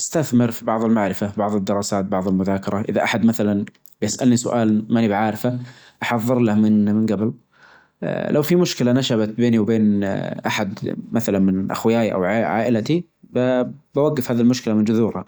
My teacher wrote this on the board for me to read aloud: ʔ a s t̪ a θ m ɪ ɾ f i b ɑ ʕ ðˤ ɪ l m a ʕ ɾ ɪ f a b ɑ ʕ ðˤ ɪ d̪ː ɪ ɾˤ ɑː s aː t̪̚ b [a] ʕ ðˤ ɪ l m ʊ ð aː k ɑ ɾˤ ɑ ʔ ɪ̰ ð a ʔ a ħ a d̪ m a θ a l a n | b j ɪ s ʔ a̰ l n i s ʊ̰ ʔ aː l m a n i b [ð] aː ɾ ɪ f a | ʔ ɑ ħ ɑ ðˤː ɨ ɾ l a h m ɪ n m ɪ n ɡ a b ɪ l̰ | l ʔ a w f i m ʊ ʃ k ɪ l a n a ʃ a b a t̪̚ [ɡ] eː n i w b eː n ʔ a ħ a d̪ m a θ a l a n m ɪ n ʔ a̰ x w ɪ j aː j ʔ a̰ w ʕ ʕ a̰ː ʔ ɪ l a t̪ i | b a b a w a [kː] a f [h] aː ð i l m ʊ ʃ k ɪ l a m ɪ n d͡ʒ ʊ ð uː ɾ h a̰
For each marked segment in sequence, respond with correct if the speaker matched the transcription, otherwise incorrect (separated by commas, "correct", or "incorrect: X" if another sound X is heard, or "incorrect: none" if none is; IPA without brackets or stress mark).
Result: incorrect: ɑ, incorrect: ʕ, incorrect: b, incorrect: ɡː, correct